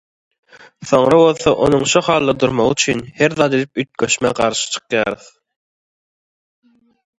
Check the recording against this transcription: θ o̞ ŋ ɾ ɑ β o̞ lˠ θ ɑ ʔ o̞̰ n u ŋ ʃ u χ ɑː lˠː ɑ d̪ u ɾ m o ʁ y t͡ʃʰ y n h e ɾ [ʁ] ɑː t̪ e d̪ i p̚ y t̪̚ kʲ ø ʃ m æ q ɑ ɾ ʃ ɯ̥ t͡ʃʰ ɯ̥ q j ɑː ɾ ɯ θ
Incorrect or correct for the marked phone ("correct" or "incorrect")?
incorrect